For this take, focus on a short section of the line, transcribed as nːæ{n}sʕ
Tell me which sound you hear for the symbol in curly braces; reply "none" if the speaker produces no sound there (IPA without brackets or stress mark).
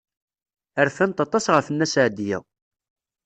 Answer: none